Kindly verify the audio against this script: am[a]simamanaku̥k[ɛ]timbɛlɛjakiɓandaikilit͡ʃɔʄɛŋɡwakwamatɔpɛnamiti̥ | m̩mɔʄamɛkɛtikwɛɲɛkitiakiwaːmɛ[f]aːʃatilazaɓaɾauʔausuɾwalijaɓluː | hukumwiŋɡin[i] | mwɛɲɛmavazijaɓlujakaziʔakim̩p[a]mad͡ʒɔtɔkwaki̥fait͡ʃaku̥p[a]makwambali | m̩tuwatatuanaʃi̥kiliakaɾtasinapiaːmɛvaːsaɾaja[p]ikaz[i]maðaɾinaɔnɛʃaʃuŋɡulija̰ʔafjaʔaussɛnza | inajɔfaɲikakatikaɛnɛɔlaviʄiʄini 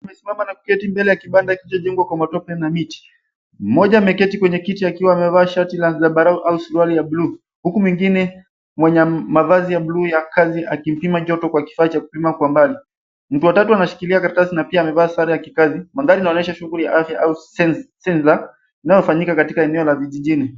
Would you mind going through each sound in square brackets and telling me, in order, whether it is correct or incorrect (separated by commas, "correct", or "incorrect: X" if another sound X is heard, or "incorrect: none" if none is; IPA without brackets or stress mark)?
incorrect: ɛ, correct, incorrect: v, incorrect: ɛ, incorrect: i, incorrect: i, incorrect: k, correct